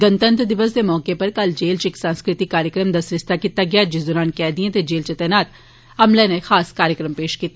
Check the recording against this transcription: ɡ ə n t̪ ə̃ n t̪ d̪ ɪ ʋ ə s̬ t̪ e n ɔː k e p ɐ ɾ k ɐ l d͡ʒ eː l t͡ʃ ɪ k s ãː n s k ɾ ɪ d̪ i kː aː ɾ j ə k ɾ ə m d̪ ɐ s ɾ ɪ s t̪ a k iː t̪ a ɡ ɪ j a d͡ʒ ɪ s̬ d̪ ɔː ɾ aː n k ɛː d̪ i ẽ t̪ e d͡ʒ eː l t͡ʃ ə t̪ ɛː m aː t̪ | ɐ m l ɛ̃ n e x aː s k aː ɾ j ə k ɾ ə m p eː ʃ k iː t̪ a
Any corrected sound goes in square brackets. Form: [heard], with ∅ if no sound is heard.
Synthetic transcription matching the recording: ɡ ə n t̪ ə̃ n t̪ d̪ ɪ ʋ ə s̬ [d̪] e [m] ɔː k e p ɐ ɾ k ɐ l d͡ʒ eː l t͡ʃ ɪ k s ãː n s k ɾ ɪ [t̪] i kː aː ɾ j ə k ɾ ə m d̪ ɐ s ɾ ɪ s t̪ a k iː t̪ a ɡ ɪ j a d͡ʒ ɪ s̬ d̪ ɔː ɾ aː n k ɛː d̪ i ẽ t̪ e d͡ʒ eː l t͡ʃ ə t̪ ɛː [n] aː t̪ | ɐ m l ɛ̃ n e x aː s k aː ɾ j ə k ɾ ə m p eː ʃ k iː t̪ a

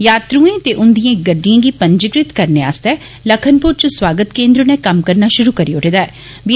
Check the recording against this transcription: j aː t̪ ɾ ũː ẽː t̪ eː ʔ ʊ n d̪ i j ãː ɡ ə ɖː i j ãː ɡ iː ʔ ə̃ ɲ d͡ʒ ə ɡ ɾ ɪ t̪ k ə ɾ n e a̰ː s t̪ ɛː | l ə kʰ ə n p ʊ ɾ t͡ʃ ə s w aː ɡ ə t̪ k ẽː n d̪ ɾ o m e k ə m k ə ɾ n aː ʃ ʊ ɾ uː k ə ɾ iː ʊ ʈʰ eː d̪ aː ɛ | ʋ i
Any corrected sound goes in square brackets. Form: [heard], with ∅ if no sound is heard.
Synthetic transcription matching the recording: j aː t̪ ɾ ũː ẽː t̪ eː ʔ ʊ n d̪ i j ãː ɡ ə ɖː i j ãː ɡ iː [p] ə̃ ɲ d͡ʒ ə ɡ ɾ ɪ t̪ k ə ɾ n e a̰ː s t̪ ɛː | l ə kʰ ə n p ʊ ɾ t͡ʃ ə s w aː ɡ ə t̪ k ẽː n d̪ ɾ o [n] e k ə m k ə ɾ n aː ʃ ʊ ɾ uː k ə ɾ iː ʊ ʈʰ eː d̪ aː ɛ | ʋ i

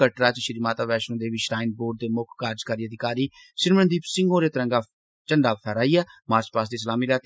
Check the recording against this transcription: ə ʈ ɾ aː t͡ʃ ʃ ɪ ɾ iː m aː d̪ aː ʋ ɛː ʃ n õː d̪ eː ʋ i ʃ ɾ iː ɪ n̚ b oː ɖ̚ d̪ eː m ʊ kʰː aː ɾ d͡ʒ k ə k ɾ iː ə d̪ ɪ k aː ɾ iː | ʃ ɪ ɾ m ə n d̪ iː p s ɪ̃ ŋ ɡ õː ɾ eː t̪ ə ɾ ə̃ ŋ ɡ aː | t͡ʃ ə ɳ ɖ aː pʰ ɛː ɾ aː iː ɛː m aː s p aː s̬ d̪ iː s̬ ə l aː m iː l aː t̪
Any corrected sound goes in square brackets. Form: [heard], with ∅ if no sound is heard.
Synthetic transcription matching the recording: ə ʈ ɾ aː t͡ʃ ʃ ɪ ɾ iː m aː [t̪] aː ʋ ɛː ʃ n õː d̪ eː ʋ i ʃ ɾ [aː] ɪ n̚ b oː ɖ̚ d̪ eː m ʊ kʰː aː ɾ d͡ʒ k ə [∅] ɾ iː ə d̪ ɪ k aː ɾ iː | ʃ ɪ ɾ m ə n d̪ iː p s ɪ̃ ŋ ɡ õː ɾ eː t̪ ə ɾ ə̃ ŋ ɡ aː | t͡ʃ ə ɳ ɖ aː pʰ ɛː ɾ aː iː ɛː m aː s p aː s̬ d̪ iː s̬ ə l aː m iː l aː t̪

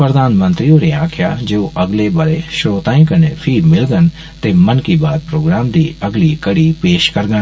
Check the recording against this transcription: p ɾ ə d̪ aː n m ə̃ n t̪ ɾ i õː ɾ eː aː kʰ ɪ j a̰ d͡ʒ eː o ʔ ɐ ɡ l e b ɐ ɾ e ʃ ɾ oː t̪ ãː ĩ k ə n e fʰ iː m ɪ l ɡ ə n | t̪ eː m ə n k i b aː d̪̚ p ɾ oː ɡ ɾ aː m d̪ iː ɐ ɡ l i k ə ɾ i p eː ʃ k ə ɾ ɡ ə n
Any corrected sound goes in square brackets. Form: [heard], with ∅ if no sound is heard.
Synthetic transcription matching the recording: p ɾ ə d̪ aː n m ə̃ n t̪ ɾ i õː ɾ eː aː kʰ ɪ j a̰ d͡ʒ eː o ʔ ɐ ɡ l e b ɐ ɾ e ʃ ɾ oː t̪ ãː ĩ k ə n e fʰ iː m ɪ l ɡ ə n | t̪ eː m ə n k i b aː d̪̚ p ɾ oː ɡ ɾ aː m d̪ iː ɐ ɡ l i k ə [ɽ] i p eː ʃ k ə ɾ ɡ ə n

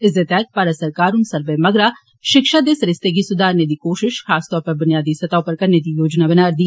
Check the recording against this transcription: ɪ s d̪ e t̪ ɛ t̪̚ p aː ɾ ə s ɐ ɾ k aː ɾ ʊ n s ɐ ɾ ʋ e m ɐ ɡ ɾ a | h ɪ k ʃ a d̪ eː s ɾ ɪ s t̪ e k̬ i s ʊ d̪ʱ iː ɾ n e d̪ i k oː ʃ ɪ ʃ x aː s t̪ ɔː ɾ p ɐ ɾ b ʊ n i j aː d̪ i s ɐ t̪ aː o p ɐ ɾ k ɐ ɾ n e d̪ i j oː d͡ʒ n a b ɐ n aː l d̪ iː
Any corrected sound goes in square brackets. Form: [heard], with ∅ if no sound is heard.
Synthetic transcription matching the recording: ɪ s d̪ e t̪ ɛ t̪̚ p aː ɾ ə s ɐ ɾ k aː ɾ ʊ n s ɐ ɾ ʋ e m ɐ ɡ ɾ a | [ʃ] ɪ k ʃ a d̪ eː s ɾ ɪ s t̪ e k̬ i s ʊ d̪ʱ [aː] ɾ n e d̪ i k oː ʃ ɪ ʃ x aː s t̪ ɔː ɾ p ɐ ɾ b ʊ n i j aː d̪ i s ɐ t̪ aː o p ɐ ɾ k ɐ ɾ n e d̪ i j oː d͡ʒ n a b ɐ n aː [ɾ] d̪ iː

